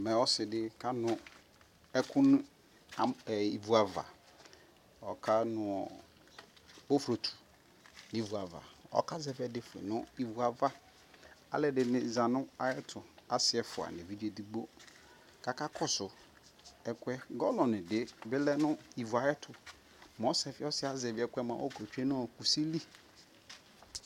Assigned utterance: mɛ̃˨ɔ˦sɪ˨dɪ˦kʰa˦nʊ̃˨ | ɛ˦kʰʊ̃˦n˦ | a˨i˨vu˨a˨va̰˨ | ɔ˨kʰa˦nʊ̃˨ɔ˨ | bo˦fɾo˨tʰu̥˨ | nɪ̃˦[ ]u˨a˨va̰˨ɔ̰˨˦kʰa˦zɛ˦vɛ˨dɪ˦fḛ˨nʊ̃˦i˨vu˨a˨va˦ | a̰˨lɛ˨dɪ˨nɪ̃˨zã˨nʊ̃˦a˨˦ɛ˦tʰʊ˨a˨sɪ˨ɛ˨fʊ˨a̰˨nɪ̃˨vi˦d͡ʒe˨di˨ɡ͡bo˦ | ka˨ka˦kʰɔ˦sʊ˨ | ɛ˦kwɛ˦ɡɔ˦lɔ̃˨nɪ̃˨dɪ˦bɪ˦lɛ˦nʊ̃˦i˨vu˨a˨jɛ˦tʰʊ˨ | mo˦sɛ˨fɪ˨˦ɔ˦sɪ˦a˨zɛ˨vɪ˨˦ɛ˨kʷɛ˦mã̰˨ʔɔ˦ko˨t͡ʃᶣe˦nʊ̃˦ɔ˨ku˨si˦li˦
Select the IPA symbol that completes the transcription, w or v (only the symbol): v